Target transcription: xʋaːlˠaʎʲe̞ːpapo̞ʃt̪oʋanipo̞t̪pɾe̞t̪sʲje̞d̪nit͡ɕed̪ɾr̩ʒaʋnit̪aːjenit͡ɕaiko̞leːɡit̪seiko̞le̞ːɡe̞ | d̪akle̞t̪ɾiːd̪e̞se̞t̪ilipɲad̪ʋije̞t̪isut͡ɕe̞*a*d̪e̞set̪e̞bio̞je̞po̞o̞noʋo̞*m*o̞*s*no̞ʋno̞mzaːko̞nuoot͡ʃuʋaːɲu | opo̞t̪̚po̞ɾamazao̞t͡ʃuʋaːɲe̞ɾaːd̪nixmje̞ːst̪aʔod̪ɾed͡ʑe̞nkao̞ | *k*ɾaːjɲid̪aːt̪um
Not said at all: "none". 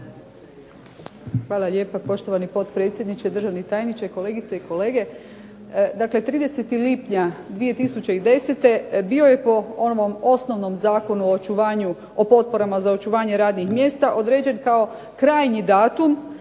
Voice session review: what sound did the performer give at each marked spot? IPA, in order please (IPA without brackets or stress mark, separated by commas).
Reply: i, m, s, k